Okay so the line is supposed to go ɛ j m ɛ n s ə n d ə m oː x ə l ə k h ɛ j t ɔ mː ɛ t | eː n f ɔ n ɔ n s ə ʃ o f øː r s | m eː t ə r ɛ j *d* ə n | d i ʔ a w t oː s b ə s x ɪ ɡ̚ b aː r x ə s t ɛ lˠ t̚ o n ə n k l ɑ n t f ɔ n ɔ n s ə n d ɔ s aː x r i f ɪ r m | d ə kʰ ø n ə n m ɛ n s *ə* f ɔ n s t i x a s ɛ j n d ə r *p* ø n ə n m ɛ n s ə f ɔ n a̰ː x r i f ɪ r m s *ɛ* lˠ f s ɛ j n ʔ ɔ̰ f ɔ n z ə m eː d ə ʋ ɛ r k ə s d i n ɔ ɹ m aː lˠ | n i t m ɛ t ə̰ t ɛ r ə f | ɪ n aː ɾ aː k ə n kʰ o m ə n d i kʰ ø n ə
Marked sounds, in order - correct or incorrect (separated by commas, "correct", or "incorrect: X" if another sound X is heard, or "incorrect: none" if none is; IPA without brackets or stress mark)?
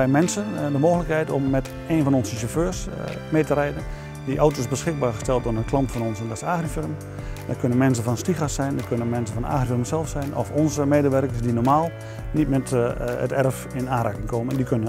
correct, correct, incorrect: k, correct